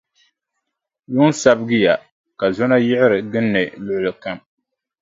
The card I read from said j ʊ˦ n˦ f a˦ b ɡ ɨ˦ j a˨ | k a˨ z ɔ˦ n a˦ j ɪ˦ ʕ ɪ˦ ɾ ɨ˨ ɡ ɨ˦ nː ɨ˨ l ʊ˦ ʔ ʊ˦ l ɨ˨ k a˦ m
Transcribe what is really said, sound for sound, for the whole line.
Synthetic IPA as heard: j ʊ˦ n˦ s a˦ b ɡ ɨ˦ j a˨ | k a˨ z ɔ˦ n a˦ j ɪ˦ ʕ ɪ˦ ɾ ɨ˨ ɡ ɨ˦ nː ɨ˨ l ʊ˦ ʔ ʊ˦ l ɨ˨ k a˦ m